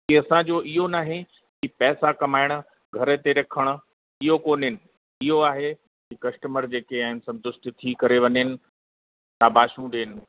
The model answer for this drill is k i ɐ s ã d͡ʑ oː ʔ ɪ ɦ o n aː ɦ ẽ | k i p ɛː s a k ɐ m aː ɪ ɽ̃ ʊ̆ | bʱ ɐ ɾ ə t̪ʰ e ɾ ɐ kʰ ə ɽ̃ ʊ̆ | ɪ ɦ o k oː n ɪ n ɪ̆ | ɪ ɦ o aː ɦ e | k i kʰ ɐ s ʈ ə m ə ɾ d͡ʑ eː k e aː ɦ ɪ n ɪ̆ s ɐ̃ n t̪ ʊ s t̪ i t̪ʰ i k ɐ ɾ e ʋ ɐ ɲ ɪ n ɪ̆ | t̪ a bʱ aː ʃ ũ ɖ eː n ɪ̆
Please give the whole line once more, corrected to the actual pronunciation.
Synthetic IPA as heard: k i ɐ s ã d͡ʑ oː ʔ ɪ ɦ o n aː ɦ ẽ | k i p ɛː s a k ɐ m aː ɪ ɽ̃ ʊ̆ | ɡʱ ɐ ɾ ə t̪ e ɾ ɐ kʰ ə ɽ̃ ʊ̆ | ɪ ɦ o k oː n ɪ n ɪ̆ | ɪ ɦ o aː ɦ e | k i k ɐ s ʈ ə m ə ɾ d͡ʑ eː k e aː ɦ ɪ n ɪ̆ s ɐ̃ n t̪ ʊ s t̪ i t̪ʰ i k ɐ ɾ e ʋ ɐ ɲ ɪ n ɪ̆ | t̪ a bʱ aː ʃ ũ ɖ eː n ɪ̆